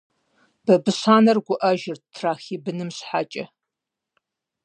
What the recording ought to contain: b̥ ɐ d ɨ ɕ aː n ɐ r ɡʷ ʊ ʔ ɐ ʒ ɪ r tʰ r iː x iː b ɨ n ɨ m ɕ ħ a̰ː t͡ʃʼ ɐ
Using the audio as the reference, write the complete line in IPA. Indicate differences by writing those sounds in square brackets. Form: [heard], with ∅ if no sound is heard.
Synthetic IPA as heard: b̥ ɐ [b] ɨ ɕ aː n ɐ r ɡʷ ʊ ʔ ɐ ʒ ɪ r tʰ r [aː] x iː b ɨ n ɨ m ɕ ħ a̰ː t͡ʃʼ ɐ